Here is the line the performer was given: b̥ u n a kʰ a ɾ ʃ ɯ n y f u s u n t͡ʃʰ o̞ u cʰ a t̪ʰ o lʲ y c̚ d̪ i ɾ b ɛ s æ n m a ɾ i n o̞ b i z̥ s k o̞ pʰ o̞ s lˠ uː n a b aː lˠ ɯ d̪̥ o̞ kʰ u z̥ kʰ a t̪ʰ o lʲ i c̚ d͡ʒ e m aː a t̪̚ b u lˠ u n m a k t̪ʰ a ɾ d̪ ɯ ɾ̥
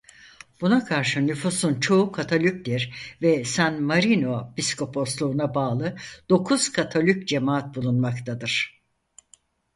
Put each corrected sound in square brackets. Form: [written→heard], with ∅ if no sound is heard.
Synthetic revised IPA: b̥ u n a kʰ a ɾ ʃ ɯ n y f u s u n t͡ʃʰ o̞ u [cʰ→kʰ] a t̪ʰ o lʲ y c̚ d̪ i ɾ [b→v] ɛ s æ n m a ɾ i n o̞ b i [z̥→∅] s k o̞ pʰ o̞ s lˠ uː n a b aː lˠ ɯ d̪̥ o̞ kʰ u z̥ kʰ a t̪ʰ o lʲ [i→y] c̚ d͡ʒ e m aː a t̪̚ b u lˠ u n m a k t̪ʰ a [ɾ→∅] d̪ ɯ ɾ̥

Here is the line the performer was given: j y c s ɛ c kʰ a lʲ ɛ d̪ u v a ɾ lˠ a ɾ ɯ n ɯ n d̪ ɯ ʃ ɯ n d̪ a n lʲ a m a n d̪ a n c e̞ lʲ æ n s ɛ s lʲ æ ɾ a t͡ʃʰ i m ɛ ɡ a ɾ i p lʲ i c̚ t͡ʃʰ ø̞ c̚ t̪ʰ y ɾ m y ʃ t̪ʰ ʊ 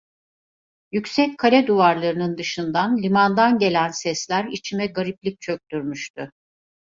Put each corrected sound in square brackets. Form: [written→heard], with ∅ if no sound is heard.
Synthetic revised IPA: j y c s ɛ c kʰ a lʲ ɛ d̪ u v a ɾ lˠ a ɾ ɯ n ɯ n d̪ ɯ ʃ ɯ n d̪ a n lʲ [a→i] m a n d̪ a n [c→ɟ] e̞ lʲ æ n s ɛ s lʲ æ ɾ [a→i] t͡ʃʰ i m ɛ ɡ a ɾ i p lʲ i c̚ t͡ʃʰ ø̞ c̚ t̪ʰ y ɾ m y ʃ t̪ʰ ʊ

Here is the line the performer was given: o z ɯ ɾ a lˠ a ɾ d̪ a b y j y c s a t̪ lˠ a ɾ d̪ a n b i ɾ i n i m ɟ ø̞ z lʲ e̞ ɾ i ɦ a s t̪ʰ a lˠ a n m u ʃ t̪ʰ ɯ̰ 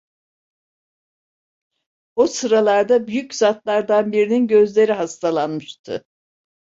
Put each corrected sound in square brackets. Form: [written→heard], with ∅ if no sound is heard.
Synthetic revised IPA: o [z→s] ɯ ɾ a lˠ a ɾ d̪ a b y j y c [s→z] a t̪ lˠ a ɾ d̪ a n b i ɾ i n i [m→n] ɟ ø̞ z lʲ e̞ ɾ i ɦ a s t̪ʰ a lˠ a n m [u→ɯ] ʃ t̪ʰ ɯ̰

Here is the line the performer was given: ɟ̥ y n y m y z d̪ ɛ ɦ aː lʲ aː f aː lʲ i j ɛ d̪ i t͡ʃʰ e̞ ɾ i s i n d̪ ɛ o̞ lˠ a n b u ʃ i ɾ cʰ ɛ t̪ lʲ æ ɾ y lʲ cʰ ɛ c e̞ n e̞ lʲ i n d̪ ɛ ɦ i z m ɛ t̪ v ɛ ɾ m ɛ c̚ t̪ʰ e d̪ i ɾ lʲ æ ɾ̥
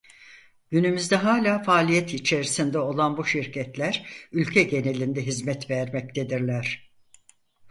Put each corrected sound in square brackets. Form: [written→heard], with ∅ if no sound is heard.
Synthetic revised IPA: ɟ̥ y n y m y z d̪ ɛ ɦ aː lʲ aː f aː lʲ i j ɛ [d̪→t̪] i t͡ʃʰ e̞ ɾ i s i n d̪ ɛ o̞ lˠ a n b u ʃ i ɾ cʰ ɛ t̪ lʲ æ ɾ y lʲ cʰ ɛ [c→ɟ] e̞ n e̞ lʲ i n d̪ ɛ ɦ i z m ɛ t̪ v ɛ ɾ m ɛ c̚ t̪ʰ e d̪ i ɾ lʲ æ ɾ̥

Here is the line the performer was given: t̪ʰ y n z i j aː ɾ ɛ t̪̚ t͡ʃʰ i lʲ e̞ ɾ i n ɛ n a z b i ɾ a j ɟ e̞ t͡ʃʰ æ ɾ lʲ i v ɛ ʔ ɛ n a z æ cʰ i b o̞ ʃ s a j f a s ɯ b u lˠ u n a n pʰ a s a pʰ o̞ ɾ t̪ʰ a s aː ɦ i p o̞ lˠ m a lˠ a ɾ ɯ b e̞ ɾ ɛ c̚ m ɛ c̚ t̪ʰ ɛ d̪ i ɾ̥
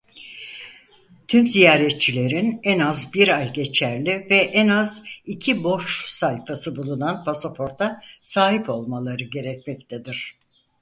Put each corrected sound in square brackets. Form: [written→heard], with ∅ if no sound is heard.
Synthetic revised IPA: t̪ʰ y [n→m] z i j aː ɾ ɛ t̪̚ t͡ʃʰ i lʲ e̞ ɾ i n ɛ n a z b i ɾ a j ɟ e̞ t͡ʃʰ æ ɾ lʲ i v ɛ ʔ ɛ n a z [æ→i] cʰ i b o̞ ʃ s a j f a s ɯ b u lˠ u n a n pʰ a s a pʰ o̞ ɾ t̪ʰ a s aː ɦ i p o̞ lˠ m a lˠ a ɾ ɯ [b→ɟ] e̞ ɾ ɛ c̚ m ɛ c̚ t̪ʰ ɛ d̪ i ɾ̥

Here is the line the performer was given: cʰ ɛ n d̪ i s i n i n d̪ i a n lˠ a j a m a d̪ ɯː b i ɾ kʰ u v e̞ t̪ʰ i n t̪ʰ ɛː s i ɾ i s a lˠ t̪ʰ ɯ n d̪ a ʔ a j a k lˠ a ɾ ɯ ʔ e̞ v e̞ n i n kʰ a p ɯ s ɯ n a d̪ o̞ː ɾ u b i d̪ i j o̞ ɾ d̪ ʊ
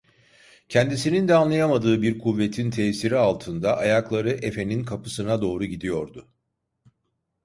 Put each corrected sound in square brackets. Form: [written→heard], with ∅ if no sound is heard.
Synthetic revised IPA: cʰ ɛ n d̪ i s i n i n d̪ [i→ɛ] a n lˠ a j a m a d̪ ɯː b i ɾ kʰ u [v→vː] e̞ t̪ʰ i n t̪ʰ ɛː s i ɾ i [s→∅] a lˠ t̪ʰ ɯ n d̪ a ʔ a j a k lˠ a ɾ ɯ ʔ e̞ [v→f] e̞ n i n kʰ a p ɯ s ɯ n a d̪ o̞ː ɾ u [b→ɟ] i d̪ i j o̞ ɾ d̪ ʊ

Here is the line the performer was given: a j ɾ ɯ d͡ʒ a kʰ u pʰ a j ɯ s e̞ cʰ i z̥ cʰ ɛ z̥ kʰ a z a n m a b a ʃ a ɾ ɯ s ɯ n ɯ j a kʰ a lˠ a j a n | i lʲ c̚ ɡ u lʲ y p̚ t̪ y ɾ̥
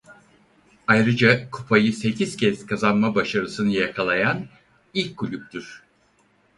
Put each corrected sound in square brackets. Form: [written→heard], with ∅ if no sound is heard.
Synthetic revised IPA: a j ɾ ɯ d͡ʒ a kʰ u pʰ a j ɯ s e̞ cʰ i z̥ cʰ ɛ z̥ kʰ a z a n m a b a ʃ a ɾ ɯ s ɯ n ɯ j a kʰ a lˠ a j a n | i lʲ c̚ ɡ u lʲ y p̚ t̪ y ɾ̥

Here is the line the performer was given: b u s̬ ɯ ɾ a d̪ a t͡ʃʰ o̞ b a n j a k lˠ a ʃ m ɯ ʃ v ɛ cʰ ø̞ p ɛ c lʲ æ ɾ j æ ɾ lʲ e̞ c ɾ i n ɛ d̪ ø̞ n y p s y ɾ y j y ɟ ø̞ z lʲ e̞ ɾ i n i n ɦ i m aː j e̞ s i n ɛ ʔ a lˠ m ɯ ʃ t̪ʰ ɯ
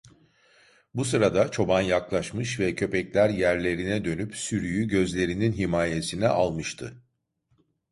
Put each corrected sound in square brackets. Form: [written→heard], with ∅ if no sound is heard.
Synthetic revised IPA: b u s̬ ɯ ɾ a d̪ a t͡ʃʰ o̞ b a n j a k lˠ a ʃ m ɯ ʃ v ɛ cʰ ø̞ p ɛ c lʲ æ ɾ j æ ɾ lʲ e̞ [c→∅] ɾ i n ɛ d̪ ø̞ n y p s y ɾ y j y ɟ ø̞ z lʲ e̞ ɾ i n i n ɦ i m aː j e̞ s i n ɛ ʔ a lˠ m ɯ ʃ t̪ʰ ɯ

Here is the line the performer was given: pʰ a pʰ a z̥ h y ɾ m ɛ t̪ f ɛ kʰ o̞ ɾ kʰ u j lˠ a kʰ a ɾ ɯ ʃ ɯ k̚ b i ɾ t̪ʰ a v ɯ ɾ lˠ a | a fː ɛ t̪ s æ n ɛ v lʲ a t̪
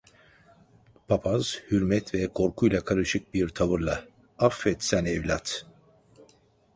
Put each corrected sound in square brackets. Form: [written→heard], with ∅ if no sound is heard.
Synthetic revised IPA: pʰ a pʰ a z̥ h y ɾ m ɛ t̪ [f→v] ɛ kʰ o̞ ɾ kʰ u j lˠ a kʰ a ɾ ɯ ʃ ɯ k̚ b i ɾ t̪ʰ a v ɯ ɾ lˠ a | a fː ɛ t̪ s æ n ɛ v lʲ a t̪

